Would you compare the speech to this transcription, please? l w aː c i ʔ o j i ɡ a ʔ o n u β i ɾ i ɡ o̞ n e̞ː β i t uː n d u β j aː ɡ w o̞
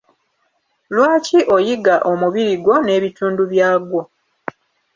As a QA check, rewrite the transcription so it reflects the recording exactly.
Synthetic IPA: l w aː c i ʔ o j i ɡ a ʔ o m u β i ɾ i ɡ o̞ n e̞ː β i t uː n d u β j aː ɡ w o̞